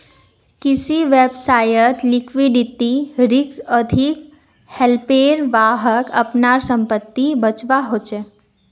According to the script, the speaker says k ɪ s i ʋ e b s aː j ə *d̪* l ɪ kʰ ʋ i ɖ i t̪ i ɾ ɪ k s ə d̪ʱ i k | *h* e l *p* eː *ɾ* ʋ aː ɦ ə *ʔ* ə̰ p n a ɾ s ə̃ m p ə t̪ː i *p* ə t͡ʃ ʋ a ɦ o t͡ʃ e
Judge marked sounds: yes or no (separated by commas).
no, yes, yes, yes, no, no